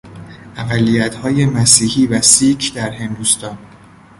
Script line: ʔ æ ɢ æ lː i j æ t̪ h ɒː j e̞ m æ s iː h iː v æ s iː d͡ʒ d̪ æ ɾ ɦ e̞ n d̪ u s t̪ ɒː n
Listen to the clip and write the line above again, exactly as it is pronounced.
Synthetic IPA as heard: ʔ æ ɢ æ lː i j æ t̪ h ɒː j e̞ m æ s iː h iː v æ s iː d͡ʒ d̪ æ ɾ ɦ e̞ n d̪ u s t̪ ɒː n